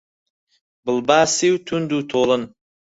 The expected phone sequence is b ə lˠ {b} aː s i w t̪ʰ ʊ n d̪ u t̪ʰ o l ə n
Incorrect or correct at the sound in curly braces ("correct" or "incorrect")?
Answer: correct